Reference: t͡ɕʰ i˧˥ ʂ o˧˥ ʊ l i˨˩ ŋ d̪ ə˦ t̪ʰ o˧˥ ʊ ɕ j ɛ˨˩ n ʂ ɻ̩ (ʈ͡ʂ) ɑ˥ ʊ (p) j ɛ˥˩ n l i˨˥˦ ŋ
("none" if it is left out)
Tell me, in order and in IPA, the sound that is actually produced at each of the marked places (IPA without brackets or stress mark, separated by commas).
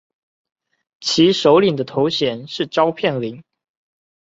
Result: ʈ͡ʂ, pʰ